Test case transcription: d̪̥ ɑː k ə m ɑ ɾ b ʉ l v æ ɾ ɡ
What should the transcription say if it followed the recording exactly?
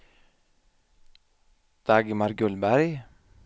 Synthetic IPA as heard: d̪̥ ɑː ɡ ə m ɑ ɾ ɡ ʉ l b æ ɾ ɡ